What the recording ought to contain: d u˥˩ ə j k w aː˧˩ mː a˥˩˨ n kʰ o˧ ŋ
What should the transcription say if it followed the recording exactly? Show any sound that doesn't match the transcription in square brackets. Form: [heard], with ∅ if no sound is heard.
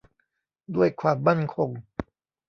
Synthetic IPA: d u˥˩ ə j [kʰ] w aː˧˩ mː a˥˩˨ n kʰ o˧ ŋ